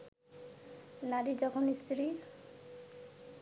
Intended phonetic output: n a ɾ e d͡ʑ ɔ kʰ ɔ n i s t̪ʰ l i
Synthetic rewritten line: n a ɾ i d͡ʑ ɔ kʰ o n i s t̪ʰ ɾ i